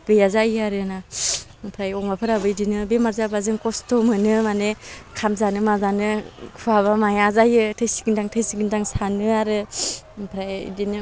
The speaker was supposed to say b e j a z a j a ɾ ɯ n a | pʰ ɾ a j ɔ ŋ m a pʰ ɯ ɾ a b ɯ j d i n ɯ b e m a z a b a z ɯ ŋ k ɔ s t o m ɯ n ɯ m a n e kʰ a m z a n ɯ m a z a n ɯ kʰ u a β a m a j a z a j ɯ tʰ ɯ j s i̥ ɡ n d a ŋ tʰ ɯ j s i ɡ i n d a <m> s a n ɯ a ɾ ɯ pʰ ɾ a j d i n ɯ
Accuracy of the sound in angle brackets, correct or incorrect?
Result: incorrect